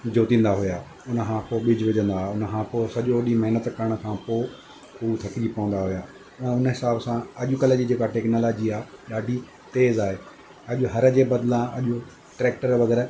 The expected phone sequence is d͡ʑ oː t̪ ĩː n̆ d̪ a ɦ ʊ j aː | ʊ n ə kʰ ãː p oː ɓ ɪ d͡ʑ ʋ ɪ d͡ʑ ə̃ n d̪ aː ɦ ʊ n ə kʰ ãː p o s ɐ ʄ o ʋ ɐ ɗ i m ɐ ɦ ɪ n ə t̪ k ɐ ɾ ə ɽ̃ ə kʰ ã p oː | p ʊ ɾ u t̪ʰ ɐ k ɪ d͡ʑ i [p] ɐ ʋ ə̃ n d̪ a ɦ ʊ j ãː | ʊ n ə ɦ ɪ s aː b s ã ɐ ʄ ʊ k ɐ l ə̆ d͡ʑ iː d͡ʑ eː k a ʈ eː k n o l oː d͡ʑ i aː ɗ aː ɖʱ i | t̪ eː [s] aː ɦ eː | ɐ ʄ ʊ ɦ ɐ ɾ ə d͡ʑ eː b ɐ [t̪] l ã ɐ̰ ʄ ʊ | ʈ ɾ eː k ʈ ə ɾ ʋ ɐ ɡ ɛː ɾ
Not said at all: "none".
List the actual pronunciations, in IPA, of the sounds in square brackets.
p, z, d̪

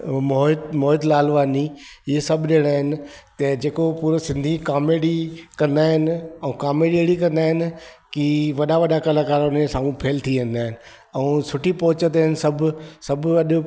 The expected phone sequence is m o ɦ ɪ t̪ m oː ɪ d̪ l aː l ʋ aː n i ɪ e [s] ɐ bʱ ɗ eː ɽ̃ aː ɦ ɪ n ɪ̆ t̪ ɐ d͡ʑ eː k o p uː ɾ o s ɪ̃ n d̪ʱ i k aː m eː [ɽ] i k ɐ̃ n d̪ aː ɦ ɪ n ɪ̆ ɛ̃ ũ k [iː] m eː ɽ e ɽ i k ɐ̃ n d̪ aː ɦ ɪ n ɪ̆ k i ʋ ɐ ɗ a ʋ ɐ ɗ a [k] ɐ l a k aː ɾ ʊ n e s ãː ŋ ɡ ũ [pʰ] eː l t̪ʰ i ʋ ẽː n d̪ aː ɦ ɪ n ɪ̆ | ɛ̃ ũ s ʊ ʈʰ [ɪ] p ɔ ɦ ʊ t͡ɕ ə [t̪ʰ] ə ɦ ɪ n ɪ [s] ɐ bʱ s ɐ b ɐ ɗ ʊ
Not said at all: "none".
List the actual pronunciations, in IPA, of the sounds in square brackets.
s, ɽ, aː, k, pʰ, i, t̪, s

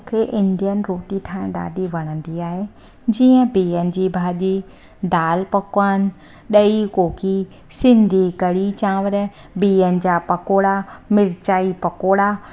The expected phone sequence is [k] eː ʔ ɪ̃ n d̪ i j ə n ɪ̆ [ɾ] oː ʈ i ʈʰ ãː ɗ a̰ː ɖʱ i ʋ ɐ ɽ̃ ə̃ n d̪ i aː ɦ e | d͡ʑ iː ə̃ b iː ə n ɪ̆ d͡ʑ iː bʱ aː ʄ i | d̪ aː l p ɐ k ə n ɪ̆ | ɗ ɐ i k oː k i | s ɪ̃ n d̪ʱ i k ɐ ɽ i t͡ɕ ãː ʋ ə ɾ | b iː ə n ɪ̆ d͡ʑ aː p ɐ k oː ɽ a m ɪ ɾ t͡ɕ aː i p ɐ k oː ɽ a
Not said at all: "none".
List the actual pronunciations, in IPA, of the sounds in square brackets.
kʰ, ɾ

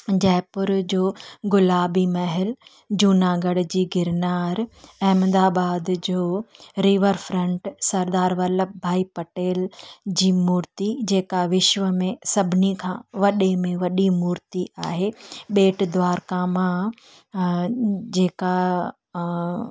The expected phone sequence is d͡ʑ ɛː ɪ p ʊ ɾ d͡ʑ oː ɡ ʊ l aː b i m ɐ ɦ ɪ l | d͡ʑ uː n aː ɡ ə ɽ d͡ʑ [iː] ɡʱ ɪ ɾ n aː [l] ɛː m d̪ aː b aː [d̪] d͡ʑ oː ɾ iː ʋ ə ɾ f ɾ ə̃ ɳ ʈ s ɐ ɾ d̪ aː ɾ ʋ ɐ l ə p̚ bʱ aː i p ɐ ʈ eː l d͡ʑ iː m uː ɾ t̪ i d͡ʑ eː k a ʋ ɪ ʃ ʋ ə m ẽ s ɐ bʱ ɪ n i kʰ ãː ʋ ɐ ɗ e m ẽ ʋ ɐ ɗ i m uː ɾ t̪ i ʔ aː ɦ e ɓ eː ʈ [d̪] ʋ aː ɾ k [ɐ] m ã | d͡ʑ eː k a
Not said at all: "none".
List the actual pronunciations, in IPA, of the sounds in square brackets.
iː, ɾ, d̪, d̪, a

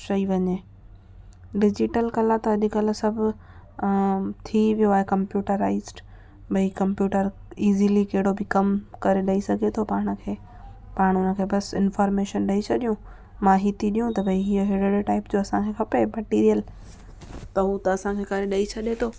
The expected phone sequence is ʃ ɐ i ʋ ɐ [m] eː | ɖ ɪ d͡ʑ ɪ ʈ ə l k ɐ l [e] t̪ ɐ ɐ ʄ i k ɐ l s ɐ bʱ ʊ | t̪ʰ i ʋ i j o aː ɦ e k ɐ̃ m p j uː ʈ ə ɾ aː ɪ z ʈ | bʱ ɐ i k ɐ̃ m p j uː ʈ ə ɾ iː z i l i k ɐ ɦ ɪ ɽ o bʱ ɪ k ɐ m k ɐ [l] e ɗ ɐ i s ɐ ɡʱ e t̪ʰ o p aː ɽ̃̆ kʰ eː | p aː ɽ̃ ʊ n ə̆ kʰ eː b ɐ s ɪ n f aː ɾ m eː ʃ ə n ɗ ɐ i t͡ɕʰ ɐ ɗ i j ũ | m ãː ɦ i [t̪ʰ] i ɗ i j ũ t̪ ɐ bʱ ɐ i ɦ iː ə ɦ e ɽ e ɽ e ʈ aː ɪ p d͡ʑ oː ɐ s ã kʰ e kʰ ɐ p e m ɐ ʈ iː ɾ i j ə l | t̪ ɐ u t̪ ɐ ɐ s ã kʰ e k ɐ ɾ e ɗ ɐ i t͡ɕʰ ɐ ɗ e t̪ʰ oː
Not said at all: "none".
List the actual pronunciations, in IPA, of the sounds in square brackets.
ɲ, a, ɾ, t̪

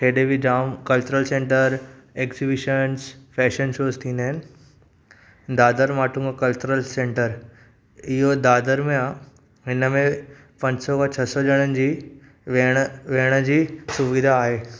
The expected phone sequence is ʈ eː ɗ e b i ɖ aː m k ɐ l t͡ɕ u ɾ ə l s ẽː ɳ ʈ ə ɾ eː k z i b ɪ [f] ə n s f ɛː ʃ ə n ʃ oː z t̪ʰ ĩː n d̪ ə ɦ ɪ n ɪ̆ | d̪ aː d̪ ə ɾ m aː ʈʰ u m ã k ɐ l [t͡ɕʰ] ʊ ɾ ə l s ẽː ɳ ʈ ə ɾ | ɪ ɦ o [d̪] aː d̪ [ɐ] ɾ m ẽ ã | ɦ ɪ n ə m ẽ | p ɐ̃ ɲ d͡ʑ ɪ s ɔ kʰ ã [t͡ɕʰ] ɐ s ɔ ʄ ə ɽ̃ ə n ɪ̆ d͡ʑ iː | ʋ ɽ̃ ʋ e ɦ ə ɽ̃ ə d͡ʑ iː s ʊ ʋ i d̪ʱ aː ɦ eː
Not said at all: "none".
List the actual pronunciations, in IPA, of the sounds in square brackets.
ʃ, t͡ɕ, d̪, ə, t͡ɕʰ

